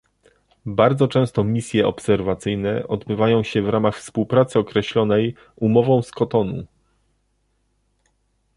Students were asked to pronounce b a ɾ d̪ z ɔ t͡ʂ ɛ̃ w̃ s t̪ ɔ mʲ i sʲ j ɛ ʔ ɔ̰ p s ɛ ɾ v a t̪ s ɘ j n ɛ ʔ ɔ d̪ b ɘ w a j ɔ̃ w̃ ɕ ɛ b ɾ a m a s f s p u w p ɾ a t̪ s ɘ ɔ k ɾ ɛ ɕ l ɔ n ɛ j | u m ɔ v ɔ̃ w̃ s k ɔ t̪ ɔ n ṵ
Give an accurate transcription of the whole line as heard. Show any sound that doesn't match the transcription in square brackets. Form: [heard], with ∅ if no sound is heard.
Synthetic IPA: b a ɾ d̪ z ɔ t͡ʂ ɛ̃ w̃ s t̪ ɔ mʲ i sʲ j ɛ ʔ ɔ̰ p s ɛ ɾ v a t̪ s ɘ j n ɛ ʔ ɔ d̪ b ɘ [v] a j ɔ̃ w̃ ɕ ɛ [v] ɾ a m a [x] f s p u w p ɾ a t̪ s ɘ ɔ k ɾ ɛ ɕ l ɔ n ɛ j | u m ɔ v ɔ̃ w̃ s k ɔ t̪ ɔ n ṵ